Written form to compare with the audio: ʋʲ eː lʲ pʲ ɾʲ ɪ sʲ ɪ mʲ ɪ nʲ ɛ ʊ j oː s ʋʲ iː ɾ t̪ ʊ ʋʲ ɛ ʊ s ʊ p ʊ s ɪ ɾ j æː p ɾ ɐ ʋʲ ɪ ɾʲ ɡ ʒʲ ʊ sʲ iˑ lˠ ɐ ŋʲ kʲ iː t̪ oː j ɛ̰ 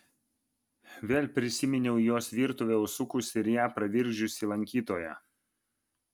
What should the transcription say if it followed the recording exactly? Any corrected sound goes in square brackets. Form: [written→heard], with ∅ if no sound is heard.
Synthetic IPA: ʋʲ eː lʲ pʲ ɾʲ ɪ sʲ ɪ mʲ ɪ nʲ ɛ ʊ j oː s ʋʲ iː ɾ t̪ ʊ ʋʲ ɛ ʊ s ʊ [p→k] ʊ s ɪ ɾ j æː p ɾ ɐ ʋʲ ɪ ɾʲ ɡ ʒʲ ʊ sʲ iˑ lˠ ɐ ŋʲ kʲ iː t̪ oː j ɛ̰

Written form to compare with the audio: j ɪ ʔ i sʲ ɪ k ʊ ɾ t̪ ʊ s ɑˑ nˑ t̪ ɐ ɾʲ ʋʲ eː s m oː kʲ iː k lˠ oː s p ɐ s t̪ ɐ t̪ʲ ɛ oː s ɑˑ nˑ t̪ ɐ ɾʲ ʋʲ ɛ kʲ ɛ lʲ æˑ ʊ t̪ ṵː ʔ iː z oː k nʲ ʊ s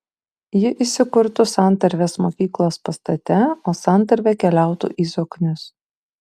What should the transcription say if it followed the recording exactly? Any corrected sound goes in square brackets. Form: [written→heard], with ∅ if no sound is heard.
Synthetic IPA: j ɪ ʔ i sʲ ɪ k ʊ ɾ t̪ ʊ s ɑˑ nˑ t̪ ɐ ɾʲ ʋʲ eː s m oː kʲ iː k lˠ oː s p ɐ s t̪ ɐ t̪ʲ ɛ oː s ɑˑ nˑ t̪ ɐ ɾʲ ʋʲ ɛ kʲ ɛ lʲ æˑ ʊ t̪ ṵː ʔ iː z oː k nʲ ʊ s

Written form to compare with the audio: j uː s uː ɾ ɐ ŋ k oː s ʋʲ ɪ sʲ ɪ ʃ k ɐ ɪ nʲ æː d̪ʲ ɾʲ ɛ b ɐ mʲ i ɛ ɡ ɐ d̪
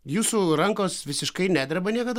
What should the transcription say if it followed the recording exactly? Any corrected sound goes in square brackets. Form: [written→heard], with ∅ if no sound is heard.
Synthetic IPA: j uː s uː ɾ ɐ ŋ k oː s ʋʲ ɪ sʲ ɪ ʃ k ɐ ɪ nʲ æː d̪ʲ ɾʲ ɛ b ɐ [mʲ→nʲ] i ɛ [ɡ→k] ɐ d̪

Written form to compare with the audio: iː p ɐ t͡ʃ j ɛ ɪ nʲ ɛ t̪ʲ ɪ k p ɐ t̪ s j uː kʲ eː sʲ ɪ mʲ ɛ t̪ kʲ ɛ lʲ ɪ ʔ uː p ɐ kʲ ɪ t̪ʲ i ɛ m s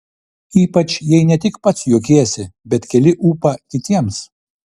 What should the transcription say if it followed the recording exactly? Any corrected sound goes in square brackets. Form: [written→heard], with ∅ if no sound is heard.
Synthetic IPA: iː p ɐ t͡ʃ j ɛ ɪ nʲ ɛ t̪ʲ ɪ k p ɐ t̪ s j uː kʲ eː sʲ ɪ [mʲ→bʲ] ɛ t̪ kʲ ɛ lʲ ɪ ʔ uː p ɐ kʲ ɪ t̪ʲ i ɛ m s

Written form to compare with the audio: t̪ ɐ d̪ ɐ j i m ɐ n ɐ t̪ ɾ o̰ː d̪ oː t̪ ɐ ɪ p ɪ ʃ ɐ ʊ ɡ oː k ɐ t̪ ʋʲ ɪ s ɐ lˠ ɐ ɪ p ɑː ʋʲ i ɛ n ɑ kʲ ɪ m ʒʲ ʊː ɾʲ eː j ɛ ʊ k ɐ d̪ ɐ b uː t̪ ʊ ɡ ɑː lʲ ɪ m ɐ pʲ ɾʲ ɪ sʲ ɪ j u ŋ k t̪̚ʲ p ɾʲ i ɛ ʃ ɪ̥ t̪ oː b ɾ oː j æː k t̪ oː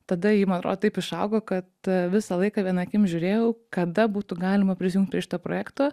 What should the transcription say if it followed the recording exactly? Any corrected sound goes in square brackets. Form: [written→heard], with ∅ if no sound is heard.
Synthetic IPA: t̪ ɐ d̪ ɐ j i m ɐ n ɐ t̪ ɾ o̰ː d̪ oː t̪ ɐ ɪ p ɪ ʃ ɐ ʊ ɡ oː k ɐ t̪ ʋʲ ɪ s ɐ lˠ ɐ ɪ [p→k] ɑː ʋʲ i ɛ n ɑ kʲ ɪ m ʒʲ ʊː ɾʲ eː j ɛ ʊ k ɐ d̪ ɐ b uː t̪ ʊ ɡ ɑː lʲ ɪ m ɐ pʲ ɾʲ ɪ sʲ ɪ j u ŋ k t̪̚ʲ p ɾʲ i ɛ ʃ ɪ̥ t̪ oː [b→p] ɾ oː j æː k t̪ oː

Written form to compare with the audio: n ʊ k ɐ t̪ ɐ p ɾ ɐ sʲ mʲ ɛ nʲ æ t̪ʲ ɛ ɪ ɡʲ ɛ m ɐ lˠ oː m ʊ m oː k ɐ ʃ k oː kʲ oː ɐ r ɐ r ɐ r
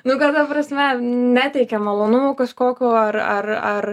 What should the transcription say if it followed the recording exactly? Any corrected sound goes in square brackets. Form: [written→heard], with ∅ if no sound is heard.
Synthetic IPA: n ʊ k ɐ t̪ ɐ p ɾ ɐ sʲ mʲ ɛ nʲ æ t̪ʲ ɛ ɪ [ɡʲ→kʲ] ɛ m ɐ lˠ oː [m→n] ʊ m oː k ɐ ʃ k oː kʲ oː ɐ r ɐ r ɐ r

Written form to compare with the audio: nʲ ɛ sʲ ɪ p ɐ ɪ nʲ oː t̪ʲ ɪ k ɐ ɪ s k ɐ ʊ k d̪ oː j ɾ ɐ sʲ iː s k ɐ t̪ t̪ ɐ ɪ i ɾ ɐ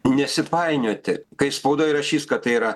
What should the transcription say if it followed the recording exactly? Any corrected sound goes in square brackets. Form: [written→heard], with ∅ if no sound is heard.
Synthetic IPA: nʲ ɛ sʲ ɪ p ɐ ɪ nʲ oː t̪ʲ ɪ k ɐ ɪ s [k→p] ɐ ʊ [k→∅] d̪ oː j ɾ ɐ [sʲ→ʃʲ] iː s k ɐ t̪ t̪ ɐ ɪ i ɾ ɐ

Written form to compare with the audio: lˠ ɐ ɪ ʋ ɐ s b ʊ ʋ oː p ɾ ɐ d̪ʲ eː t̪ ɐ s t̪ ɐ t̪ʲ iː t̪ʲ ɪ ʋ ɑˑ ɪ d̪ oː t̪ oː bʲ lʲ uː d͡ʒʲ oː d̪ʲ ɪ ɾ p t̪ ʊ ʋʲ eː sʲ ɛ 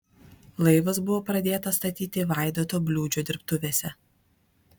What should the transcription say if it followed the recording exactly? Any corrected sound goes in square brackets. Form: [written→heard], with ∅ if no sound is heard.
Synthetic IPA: lˠ ɐ ɪ ʋ ɐ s b ʊ ʋ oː p ɾ ɐ d̪ʲ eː t̪ ɐ s t̪ ɐ t̪ʲ iː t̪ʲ ɪ ʋ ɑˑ ɪ d̪ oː t̪ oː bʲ lʲ uː d͡ʒʲ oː d̪ʲ ɪ ɾ p t̪ ʊ ʋʲ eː sʲ ɛ

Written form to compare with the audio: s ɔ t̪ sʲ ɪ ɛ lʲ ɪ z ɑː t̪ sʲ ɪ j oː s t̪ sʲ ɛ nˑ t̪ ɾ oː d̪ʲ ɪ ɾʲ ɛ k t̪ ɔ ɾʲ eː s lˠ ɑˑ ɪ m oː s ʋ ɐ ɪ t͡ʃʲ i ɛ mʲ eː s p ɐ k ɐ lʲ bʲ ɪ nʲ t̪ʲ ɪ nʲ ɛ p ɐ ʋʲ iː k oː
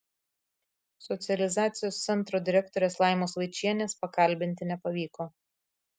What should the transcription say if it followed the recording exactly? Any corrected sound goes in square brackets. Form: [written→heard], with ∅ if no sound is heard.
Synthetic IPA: s ɔ t̪ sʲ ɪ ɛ lʲ ɪ z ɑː t̪ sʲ ɪ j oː s t̪ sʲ ɛ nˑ t̪ ɾ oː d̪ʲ ɪ ɾʲ ɛ k t̪ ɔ ɾʲ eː s lˠ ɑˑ ɪ m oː s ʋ ɐ ɪ t͡ʃʲ i ɛ [mʲ→nʲ] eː s p ɐ k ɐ lʲ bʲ ɪ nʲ t̪ʲ ɪ nʲ ɛ p ɐ ʋʲ iː k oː

